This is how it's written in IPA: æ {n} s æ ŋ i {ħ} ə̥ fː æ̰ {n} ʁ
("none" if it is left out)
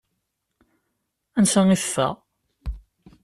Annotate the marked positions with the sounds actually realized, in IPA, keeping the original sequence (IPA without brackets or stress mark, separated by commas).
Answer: n, θ, none